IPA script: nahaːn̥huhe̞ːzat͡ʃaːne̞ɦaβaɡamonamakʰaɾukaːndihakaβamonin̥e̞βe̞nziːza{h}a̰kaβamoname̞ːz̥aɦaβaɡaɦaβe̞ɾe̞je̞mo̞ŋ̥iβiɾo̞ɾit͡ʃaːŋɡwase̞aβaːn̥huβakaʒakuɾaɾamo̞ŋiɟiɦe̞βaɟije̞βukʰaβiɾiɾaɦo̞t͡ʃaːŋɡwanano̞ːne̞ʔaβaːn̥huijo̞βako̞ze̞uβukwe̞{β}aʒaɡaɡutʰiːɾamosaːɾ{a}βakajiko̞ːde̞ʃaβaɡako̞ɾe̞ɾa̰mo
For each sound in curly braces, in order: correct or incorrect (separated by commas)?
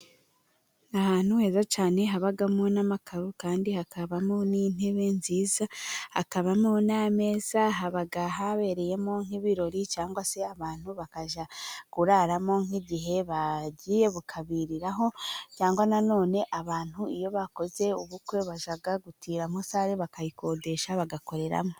correct, correct, incorrect